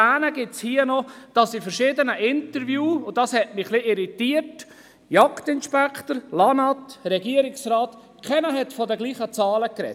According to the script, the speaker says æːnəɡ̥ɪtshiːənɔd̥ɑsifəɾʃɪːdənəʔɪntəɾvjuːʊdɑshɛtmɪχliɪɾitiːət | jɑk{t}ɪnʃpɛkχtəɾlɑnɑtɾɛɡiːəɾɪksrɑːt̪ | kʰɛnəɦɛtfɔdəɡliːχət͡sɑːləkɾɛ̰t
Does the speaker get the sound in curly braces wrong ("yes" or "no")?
no